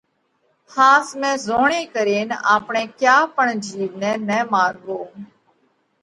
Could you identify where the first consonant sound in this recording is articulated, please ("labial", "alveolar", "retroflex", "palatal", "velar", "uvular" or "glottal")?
glottal